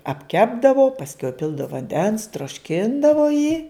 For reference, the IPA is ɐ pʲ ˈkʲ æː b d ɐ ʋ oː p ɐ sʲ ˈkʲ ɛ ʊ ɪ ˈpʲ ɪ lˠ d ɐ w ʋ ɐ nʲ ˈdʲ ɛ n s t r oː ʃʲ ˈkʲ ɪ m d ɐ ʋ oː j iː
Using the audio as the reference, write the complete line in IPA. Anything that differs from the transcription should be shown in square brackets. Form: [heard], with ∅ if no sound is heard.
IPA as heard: ɐ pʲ ˈkʲ æː b d ɐ ʋ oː p ɐ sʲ ˈkʲ ɛ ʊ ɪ ˈpʲ ɪ lˠ d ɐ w ʋ ɐ nʲ ˈdʲ ɛ n s t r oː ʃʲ ˈkʲ ɪ [n] d ɐ ʋ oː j iː